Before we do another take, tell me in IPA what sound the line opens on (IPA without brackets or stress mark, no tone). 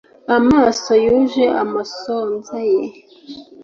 a